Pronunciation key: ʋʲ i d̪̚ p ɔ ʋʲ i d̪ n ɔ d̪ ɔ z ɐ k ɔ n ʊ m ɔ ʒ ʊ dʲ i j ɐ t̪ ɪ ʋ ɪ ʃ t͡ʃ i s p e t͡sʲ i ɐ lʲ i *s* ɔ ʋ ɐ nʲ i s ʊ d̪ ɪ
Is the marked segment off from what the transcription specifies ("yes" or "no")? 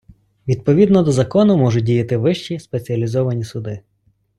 yes